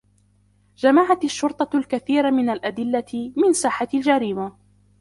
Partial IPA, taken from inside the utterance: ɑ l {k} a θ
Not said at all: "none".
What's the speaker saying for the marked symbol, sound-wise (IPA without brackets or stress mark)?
k